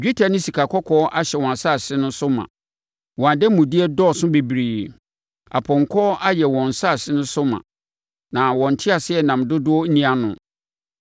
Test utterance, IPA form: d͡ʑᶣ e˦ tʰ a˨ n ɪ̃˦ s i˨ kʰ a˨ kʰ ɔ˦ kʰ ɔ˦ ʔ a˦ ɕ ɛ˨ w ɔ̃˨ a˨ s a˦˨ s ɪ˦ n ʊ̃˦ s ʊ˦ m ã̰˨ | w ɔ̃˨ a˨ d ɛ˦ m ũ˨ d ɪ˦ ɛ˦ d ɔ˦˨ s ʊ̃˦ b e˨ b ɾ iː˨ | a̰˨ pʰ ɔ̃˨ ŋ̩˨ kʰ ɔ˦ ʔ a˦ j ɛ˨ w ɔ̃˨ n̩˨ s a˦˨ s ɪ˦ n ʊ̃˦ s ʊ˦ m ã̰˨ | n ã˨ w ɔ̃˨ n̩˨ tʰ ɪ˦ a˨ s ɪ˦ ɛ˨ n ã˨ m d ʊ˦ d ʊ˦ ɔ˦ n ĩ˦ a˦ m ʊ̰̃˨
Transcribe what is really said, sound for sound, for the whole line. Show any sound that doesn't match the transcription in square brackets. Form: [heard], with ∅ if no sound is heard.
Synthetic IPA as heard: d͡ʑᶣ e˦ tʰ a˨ n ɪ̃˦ s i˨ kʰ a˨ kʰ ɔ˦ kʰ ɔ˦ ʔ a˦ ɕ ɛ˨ w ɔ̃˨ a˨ s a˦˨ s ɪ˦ n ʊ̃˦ s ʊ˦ m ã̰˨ | w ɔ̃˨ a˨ d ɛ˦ m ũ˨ d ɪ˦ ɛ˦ d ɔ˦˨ s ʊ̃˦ b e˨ b ɾ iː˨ | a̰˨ pʰ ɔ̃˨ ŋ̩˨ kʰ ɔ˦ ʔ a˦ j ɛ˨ w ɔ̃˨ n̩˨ s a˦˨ s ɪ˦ n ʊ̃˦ s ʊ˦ m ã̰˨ | n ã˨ w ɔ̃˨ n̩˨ tʰ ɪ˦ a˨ s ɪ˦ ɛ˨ n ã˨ m d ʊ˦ d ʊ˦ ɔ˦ n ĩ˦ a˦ [n] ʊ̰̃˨